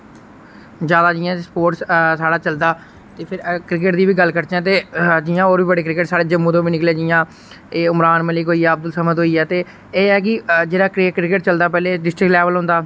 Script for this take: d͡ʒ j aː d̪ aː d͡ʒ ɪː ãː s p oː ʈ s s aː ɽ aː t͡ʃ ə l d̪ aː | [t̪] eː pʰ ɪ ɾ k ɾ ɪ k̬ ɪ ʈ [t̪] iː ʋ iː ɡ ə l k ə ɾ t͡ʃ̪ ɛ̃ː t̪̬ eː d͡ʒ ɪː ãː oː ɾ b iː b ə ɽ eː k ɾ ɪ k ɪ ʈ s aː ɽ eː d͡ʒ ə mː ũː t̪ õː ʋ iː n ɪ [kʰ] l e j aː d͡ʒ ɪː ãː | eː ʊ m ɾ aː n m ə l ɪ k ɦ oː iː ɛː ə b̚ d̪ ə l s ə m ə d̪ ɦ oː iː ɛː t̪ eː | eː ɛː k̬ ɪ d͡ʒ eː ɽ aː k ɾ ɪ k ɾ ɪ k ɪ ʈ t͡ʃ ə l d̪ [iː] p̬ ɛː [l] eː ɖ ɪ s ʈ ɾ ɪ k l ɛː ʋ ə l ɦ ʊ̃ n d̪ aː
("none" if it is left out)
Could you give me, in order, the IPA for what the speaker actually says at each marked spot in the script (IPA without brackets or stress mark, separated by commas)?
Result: t̪, d̪, k, aː, l